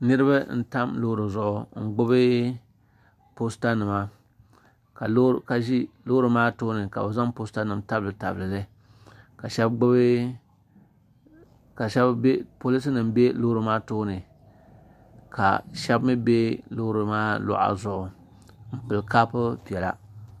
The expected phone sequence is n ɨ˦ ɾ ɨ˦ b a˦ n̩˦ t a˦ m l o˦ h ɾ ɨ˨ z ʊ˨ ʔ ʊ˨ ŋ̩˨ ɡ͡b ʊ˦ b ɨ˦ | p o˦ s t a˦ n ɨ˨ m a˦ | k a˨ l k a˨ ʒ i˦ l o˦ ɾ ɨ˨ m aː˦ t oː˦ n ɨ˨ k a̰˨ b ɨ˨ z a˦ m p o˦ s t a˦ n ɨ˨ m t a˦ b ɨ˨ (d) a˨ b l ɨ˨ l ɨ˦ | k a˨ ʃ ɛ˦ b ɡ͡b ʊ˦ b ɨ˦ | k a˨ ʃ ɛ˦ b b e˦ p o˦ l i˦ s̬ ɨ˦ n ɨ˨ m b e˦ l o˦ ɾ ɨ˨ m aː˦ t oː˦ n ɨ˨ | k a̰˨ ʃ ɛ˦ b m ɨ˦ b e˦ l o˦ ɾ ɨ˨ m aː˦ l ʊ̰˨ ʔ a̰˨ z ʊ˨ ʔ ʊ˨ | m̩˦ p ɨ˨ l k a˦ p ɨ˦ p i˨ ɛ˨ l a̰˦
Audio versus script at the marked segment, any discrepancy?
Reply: yes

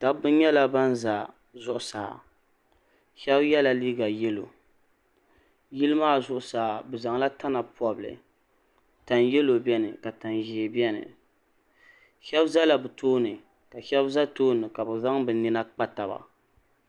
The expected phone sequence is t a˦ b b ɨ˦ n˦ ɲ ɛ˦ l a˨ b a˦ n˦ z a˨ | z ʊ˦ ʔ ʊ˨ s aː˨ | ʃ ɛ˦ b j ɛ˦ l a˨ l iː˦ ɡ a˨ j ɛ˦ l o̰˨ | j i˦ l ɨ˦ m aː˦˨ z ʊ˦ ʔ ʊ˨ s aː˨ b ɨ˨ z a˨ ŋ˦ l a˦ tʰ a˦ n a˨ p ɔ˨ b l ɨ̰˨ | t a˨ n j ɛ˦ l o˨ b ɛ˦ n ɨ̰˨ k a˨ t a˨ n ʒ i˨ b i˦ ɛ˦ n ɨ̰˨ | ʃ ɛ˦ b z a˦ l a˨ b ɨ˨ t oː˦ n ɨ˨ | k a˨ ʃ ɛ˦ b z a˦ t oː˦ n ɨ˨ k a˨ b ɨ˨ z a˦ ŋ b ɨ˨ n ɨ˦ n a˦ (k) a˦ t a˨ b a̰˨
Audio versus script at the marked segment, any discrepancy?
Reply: yes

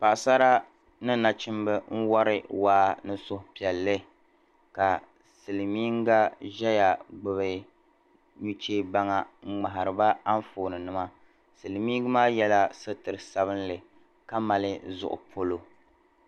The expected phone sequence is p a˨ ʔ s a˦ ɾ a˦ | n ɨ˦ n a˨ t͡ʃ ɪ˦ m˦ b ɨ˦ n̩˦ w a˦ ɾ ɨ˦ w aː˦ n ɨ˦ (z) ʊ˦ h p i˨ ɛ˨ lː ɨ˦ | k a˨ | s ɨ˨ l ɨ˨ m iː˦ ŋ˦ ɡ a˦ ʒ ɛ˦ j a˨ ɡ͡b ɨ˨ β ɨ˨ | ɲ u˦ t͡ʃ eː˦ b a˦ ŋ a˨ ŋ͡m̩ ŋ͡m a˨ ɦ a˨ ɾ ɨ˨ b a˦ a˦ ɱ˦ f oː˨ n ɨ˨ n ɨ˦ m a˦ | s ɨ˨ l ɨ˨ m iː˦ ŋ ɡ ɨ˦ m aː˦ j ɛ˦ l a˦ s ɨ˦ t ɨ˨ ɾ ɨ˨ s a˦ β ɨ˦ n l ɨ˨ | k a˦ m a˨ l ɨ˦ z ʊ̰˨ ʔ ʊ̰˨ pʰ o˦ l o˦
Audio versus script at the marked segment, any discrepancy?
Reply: yes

